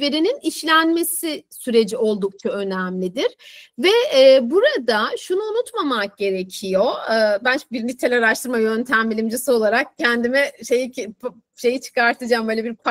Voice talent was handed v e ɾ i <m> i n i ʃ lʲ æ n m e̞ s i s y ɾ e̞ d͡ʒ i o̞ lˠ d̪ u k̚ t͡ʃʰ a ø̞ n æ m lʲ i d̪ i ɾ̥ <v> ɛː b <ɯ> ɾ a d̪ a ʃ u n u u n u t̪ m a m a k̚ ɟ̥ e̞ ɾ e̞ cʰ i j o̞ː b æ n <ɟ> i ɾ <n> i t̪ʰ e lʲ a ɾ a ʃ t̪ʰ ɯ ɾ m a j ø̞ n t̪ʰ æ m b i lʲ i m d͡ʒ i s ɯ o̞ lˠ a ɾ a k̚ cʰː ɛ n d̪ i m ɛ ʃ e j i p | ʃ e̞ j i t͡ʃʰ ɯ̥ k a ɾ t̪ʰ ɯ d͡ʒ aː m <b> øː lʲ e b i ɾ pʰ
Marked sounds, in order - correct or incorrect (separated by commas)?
incorrect, correct, incorrect, incorrect, correct, correct